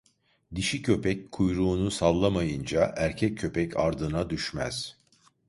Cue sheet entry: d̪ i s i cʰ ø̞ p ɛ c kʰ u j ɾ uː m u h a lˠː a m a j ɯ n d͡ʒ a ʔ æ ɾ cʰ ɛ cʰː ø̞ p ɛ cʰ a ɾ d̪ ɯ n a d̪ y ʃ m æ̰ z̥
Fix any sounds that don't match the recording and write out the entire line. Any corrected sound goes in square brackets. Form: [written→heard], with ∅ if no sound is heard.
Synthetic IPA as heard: d̪ i [s→ʃ] i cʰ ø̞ p ɛ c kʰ u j ɾ uː [m→n] u [h→s] a lˠː a m a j ɯ n d͡ʒ a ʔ æ ɾ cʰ ɛ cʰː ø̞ p ɛ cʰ a ɾ d̪ ɯ n a d̪ y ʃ m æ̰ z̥